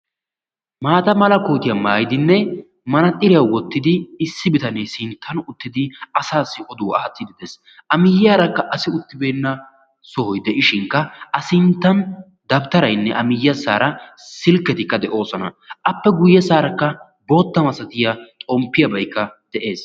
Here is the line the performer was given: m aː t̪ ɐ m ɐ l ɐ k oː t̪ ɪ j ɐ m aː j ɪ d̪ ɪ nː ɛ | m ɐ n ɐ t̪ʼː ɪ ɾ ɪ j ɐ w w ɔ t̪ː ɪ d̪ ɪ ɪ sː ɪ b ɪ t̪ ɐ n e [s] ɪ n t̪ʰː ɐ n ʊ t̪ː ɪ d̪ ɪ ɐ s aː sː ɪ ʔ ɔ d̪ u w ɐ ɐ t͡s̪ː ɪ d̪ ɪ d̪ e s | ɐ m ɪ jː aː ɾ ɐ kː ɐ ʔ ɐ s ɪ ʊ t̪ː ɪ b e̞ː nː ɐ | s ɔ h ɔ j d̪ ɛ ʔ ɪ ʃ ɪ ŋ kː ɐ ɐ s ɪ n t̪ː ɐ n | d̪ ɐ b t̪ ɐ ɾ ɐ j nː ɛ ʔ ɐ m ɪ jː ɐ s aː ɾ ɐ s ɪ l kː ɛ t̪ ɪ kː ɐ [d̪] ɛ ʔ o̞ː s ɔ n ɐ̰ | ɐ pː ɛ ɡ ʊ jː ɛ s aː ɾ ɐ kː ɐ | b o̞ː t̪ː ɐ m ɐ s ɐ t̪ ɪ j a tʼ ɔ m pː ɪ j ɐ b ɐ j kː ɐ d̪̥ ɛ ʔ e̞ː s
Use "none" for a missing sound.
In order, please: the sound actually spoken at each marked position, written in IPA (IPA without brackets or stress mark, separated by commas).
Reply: s, d̪